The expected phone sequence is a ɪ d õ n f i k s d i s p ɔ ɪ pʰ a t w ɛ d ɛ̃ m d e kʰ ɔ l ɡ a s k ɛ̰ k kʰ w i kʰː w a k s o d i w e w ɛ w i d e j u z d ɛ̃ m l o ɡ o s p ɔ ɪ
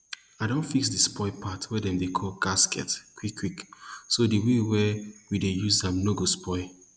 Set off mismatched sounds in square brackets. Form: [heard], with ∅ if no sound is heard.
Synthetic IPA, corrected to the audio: a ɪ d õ n f i k s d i s p ɔ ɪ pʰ a t w ɛ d ɛ̃ m d e kʰ ɔ l ɡ a s k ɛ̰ [t] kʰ w i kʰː w [i] k s o d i w e w ɛ w i d e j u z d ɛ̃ m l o ɡ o s p ɔ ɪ